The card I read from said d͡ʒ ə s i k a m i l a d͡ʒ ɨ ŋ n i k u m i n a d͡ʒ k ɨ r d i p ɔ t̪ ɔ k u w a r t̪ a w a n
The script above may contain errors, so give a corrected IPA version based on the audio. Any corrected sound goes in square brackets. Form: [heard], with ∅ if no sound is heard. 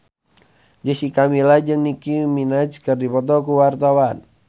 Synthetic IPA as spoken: d͡ʒ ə s i k a m i l a d͡ʒ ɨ ŋ n i k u m i n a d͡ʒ k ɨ r d i p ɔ t̪ ɔ k u w a r t̪ a w a n